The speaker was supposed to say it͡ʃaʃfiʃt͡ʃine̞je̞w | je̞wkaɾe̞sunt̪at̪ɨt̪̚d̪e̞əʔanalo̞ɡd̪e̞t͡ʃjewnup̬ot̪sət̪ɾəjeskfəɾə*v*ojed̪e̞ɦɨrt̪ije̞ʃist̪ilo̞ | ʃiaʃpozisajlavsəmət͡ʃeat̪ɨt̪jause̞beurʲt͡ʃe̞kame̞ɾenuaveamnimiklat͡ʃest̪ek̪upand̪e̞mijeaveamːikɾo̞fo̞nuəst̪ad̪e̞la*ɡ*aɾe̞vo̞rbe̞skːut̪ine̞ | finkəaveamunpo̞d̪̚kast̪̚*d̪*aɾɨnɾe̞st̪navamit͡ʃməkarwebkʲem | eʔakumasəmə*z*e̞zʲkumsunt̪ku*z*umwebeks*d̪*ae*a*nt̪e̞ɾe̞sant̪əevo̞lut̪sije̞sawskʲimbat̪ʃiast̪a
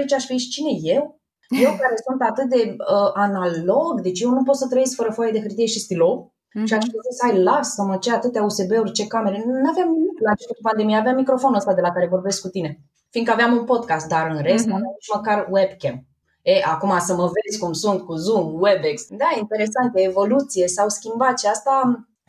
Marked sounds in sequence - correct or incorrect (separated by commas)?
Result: incorrect, incorrect, correct, incorrect, correct, correct, incorrect